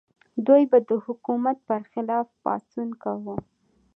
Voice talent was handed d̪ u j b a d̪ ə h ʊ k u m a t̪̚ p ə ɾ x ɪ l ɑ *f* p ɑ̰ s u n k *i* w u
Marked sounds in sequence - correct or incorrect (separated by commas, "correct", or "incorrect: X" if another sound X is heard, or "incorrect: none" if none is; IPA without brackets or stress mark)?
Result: correct, incorrect: a